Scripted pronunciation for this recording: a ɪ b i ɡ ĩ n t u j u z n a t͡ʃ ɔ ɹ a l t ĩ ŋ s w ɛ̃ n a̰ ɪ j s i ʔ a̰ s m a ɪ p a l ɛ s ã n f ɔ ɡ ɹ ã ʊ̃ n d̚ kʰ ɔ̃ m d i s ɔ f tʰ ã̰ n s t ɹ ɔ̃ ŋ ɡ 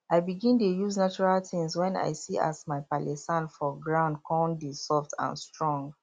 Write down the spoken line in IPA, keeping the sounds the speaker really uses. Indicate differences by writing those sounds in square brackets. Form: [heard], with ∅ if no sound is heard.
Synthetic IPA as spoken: a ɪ b i ɡ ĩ n t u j u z n a t͡ʃ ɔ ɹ a l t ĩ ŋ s w ɛ̃ n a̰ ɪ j s i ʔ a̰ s m a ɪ p a l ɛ s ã n f ɔ ɡ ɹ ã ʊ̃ n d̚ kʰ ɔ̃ [n] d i s ɔ f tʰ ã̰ n s t ɹ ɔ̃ ŋ ɡ